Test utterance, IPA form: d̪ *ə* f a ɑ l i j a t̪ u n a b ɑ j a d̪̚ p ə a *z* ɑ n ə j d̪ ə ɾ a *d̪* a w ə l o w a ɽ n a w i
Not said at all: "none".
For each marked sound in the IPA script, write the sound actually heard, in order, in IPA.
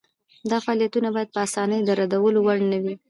ɑ, s, d̪

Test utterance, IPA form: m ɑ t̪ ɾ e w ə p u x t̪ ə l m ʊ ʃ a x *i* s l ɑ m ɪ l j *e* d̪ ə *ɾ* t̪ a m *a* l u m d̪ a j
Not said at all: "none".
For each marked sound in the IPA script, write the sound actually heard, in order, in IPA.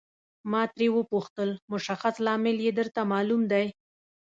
a, e, ɾ, ɑ

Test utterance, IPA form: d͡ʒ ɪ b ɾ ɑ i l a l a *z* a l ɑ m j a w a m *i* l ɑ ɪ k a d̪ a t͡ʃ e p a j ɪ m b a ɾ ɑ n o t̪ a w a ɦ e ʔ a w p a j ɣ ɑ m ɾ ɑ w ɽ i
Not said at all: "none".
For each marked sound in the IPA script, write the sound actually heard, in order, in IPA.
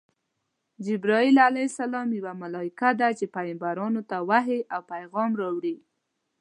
s, a

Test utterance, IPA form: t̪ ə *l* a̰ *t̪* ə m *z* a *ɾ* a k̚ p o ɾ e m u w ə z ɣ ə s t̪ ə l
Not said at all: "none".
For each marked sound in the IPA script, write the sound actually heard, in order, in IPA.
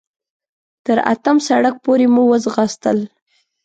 ɾ, t̪, s, ɽ

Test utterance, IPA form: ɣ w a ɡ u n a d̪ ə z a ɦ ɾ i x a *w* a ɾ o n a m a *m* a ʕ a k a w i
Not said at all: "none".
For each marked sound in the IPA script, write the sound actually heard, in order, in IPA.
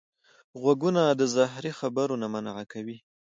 b, n

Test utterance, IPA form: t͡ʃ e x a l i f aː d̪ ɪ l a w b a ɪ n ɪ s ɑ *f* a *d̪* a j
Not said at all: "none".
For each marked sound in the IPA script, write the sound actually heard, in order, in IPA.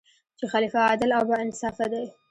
f, d̪

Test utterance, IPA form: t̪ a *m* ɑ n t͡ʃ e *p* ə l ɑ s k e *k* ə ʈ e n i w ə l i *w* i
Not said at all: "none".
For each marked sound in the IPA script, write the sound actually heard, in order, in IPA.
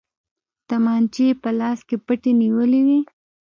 m, p, p, w

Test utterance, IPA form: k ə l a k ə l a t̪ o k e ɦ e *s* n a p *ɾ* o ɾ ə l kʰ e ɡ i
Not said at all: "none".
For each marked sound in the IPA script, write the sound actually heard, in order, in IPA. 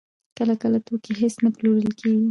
s, l

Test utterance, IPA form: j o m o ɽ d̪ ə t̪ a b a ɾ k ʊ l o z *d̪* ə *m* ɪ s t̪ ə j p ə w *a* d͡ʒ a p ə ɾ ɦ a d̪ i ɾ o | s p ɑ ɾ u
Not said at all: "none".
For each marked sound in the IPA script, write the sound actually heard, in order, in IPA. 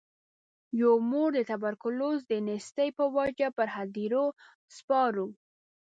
d̪, n, a

